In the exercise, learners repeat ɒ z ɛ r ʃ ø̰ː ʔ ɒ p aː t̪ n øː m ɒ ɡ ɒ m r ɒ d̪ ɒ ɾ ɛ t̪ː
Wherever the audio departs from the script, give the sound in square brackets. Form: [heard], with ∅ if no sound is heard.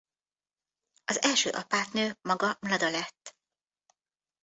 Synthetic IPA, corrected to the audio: ɒ z ɛ [l] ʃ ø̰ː ʔ ɒ p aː t̪ n øː m ɒ ɡ ɒ m [l] ɒ d̪ ɒ [l] ɛ t̪ː

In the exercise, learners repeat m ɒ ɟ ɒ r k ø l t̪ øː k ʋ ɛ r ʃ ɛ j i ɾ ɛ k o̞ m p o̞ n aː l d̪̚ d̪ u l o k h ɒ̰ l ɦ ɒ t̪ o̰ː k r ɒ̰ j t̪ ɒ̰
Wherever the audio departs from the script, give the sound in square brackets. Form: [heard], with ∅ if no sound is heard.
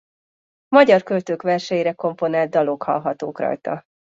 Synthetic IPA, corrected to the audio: m ɒ ɟ ɒ r k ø l t̪ øː k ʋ ɛ r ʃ ɛ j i ɾ ɛ k o̞ m p o̞ n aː l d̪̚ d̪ [ɒ] l o k h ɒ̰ l ɦ ɒ t̪ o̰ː k r ɒ̰ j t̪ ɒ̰

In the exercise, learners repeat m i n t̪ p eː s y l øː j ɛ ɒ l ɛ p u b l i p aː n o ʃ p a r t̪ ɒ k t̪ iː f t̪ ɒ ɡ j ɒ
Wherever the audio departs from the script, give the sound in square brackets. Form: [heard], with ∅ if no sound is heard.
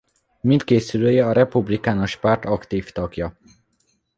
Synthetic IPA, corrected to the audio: m i n t̪ [k] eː s y l øː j ɛ ɒ [ɾ] ɛ p u b l i [k] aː n o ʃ p a r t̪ ɒ k t̪ iː f t̪ ɒ ɡ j ɒ

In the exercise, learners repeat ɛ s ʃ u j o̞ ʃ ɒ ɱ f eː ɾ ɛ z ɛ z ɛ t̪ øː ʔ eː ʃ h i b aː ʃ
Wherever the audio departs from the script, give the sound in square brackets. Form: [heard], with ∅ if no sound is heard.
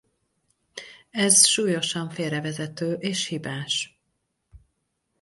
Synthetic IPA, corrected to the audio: ɛ [z] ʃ [uː] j o̞ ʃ ɒ ɱ f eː ɾ ɛ [v] ɛ z ɛ t̪ øː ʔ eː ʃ h i b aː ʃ

